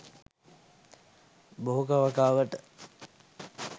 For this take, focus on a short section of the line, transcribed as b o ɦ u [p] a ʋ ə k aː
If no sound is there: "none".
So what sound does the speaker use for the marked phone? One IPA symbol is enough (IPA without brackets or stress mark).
k